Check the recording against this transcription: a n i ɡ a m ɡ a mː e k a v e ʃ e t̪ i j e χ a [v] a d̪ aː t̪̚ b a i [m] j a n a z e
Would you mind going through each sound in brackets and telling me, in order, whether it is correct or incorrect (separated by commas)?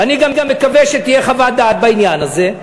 correct, incorrect